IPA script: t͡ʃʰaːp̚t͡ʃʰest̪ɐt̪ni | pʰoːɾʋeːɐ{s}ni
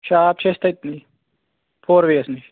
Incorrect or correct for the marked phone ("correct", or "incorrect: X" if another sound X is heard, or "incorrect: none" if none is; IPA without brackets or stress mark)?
correct